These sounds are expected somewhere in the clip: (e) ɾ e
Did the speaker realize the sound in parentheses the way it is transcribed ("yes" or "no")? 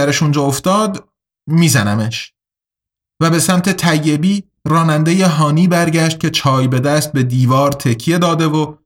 no